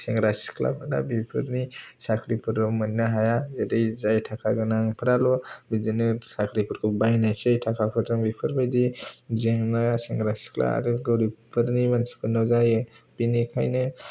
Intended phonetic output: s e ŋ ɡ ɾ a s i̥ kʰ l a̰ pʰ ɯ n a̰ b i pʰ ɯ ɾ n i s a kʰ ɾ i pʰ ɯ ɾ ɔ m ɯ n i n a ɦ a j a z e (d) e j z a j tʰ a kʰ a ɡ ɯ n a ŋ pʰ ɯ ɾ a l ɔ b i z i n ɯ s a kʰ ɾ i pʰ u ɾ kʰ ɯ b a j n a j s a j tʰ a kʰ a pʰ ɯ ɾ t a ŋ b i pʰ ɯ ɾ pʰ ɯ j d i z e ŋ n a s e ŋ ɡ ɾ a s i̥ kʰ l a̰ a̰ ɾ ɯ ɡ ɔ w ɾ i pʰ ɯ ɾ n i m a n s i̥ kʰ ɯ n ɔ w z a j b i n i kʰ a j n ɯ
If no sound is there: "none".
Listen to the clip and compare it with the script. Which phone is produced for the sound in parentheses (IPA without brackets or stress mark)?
d